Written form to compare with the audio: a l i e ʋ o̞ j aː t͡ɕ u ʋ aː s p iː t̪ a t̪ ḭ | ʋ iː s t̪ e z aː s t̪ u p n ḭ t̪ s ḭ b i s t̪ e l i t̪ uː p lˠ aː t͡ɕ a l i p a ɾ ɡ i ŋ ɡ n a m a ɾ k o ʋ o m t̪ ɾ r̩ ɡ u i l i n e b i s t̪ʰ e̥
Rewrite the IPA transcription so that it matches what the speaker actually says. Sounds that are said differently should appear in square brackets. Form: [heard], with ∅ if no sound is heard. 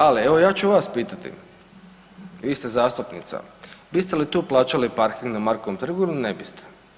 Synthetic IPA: a l i e ʋ o̞ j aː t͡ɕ u ʋ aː s p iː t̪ a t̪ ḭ | ʋ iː s t̪ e z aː s t̪ u p n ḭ t̪ s [a̰] b i s t̪ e l i t̪ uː p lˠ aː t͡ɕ a l i p a ɾ [k] i ŋ ɡ n a m a ɾ k o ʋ o m t̪ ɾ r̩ ɡ u i l i n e b i s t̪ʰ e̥